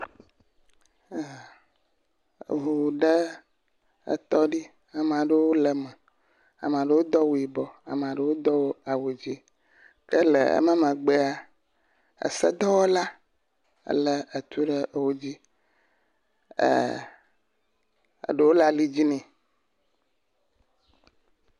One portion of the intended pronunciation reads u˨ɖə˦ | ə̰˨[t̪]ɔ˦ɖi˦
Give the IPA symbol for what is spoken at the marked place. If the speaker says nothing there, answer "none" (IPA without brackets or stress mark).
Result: t̪